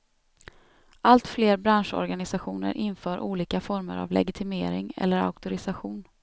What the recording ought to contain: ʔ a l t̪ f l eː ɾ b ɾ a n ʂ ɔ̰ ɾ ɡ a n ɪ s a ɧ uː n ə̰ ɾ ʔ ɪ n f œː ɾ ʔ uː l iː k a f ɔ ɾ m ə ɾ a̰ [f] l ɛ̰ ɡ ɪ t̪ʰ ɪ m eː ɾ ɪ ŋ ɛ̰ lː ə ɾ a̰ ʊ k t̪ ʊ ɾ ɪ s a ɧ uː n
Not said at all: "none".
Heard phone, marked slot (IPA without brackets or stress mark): v